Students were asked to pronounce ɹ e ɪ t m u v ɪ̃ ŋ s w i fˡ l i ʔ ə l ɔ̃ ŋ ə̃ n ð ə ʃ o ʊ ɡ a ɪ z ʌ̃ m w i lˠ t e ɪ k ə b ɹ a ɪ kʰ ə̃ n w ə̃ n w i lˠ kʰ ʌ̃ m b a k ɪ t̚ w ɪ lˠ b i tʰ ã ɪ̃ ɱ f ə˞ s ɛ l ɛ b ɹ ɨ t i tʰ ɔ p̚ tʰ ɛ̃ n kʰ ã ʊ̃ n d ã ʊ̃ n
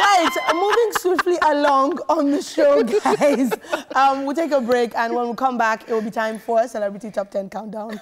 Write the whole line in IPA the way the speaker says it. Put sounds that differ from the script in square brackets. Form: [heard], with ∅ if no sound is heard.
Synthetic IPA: ɹ [a] ɪ t m u v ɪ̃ ŋ s w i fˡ l i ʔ ə l ɔ̃ ŋ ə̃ n ð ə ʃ o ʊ ɡ a ɪ z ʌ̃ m w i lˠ t e ɪ k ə b ɹ [e] ɪ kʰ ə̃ n w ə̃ n w i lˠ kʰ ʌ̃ m b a k ɪ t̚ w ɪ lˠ b i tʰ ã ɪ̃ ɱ f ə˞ s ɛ l ɛ b ɹ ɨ t i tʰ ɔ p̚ tʰ ɛ̃ n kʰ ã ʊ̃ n d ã ʊ̃ n